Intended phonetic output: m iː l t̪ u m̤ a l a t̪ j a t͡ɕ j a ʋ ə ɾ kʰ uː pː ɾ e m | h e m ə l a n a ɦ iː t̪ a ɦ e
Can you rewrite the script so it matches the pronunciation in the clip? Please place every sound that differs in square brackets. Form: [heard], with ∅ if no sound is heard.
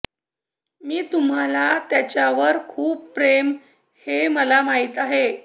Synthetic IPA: m iː [∅] t̪ u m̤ a l a t̪ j a t͡ɕ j a ʋ ə ɾ kʰ uː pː ɾ e m | h e m ə l a [m] a ɦ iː t̪ a ɦ e

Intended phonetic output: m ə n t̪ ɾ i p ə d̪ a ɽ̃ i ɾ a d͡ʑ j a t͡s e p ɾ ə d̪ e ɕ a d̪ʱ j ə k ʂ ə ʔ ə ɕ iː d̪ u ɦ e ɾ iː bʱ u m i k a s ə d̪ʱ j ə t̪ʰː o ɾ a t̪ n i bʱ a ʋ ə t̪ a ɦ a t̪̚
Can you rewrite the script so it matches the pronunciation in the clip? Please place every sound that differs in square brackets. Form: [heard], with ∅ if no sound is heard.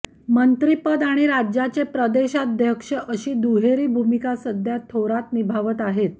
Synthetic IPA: m ə n t̪ ɾ i p ə d̪ a ɽ̃ i ɾ a d͡ʑ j a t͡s e p ɾ ə d̪ e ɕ a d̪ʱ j ə k ʂ ə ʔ ə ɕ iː d̪ u ɦ e ɾ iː bʱ u m i k a s ə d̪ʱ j [a] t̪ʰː o ɾ a t̪ n i bʱ a ʋ ə t̪ a ɦ [e] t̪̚

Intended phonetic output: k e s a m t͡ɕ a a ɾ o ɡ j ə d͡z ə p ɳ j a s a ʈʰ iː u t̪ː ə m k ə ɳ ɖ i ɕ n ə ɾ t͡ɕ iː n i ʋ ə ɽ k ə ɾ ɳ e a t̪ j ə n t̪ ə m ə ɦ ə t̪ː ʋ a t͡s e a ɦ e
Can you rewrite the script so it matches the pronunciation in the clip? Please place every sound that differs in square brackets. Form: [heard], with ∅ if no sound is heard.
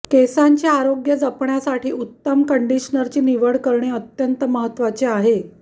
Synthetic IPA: k e s a [ɲ] t͡ɕ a a ɾ o ɡ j ə d͡z ə p ɳ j a s a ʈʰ iː u t̪ː ə m k ə ɳ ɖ i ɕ n ə ɾ t͡ɕ iː n i ʋ ə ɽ k ə ɾ ɳ e [ə] t̪ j ə n t̪ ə m ə ɦ ə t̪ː ʋ a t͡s e a ɦ e

